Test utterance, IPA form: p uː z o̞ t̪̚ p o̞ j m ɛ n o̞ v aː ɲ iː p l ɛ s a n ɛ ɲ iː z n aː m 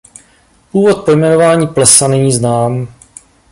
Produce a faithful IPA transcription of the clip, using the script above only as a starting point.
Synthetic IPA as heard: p uː v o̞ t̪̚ p o̞ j m ɛ n o̞ v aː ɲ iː p l ɛ s a n ɛ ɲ iː z n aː m